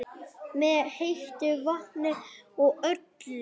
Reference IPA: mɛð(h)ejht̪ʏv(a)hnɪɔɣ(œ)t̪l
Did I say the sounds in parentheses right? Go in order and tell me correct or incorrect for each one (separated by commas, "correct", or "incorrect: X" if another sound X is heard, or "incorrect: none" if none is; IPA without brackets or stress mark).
correct, correct, correct